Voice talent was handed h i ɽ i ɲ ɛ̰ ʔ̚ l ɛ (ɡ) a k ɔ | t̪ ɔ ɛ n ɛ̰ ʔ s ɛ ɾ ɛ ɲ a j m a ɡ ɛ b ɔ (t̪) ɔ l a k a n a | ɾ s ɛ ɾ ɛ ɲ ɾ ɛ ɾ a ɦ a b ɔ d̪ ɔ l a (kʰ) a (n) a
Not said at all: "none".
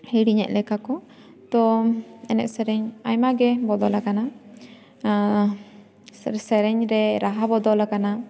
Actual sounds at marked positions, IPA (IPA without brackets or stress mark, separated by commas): k, d̪, k, n